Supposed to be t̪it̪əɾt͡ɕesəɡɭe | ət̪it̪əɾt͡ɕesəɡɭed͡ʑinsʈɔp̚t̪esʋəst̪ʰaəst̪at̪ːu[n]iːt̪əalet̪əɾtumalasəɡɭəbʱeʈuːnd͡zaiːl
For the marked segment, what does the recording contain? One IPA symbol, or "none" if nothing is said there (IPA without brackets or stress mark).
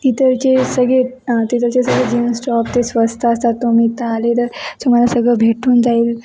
m